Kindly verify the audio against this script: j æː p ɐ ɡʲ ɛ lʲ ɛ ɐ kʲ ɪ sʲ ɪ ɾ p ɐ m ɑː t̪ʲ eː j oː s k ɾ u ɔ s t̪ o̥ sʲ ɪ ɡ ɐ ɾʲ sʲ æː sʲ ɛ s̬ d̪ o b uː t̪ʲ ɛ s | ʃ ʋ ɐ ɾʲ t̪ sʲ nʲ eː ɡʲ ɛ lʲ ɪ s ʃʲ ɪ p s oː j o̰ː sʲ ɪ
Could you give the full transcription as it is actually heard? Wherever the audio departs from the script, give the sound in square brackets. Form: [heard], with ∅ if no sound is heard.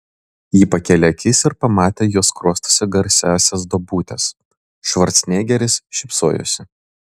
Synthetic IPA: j [iː] p ɐ [kʲ] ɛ lʲ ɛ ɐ kʲ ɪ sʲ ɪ ɾ p ɐ m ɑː t̪ʲ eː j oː s k ɾ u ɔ s t̪ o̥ sʲ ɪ ɡ ɐ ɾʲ sʲ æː sʲ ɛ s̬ d̪ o b uː t̪ʲ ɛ s | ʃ ʋ ɐ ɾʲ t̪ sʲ nʲ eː ɡʲ ɛ [ɾʲ] ɪ s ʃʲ ɪ p s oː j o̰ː sʲ ɪ